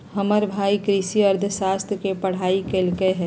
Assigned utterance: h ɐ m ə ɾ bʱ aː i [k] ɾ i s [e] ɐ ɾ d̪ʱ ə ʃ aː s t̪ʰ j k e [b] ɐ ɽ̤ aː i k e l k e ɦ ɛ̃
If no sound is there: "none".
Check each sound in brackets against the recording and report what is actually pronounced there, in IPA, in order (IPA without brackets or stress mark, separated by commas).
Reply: k, i, p